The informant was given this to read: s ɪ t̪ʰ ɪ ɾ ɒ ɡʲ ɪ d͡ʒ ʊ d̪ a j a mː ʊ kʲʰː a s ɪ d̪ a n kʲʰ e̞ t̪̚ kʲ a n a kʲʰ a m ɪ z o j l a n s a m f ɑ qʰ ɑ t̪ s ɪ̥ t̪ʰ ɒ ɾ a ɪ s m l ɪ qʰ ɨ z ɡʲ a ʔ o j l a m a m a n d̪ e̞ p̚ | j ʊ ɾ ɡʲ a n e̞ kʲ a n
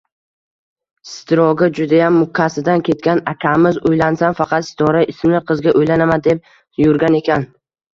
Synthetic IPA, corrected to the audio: s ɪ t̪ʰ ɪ ɾ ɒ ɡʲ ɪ d͡ʒ ʊ d̪ a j a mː ʊ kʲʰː a s ɪ d̪ a n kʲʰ e̞ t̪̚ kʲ a n a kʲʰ a m ɪ z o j l a n s a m f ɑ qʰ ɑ t̪ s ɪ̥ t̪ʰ ɒ ɾ a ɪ s m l ɪ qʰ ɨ z ɡʲ a ʔ o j l a n a m a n d̪ e̞ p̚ | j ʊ ɾ ɡʲ a n e̞ kʲ a n